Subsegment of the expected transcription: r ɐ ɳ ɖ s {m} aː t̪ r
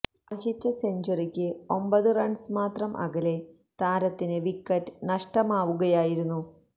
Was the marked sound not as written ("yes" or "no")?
no